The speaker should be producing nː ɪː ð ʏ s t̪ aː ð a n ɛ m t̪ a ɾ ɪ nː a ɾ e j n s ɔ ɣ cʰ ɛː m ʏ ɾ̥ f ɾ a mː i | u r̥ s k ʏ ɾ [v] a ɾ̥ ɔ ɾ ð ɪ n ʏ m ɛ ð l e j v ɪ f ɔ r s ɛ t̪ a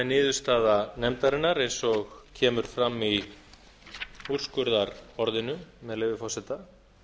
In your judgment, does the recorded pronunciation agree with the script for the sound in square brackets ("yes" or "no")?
no